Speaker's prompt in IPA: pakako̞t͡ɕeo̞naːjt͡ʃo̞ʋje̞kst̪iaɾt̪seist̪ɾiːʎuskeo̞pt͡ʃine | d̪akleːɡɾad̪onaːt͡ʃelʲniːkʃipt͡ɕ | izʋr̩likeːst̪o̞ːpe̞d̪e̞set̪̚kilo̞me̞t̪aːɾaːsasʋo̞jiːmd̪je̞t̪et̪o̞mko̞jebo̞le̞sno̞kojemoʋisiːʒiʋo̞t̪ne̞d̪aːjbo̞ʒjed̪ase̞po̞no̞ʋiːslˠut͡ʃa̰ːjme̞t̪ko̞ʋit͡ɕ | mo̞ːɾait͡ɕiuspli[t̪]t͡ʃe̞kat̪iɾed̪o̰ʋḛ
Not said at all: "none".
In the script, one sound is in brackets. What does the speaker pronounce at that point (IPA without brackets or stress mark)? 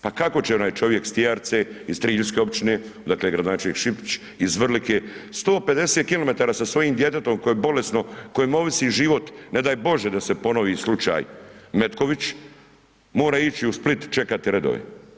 t̪